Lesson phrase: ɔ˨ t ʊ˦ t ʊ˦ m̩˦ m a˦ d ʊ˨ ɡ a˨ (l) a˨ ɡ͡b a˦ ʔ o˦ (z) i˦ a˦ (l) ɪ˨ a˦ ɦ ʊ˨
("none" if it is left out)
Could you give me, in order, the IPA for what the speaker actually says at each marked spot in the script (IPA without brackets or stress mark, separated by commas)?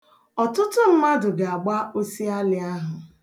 none, s, l